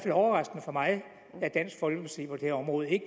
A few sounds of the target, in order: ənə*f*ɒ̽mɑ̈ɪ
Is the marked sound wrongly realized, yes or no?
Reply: no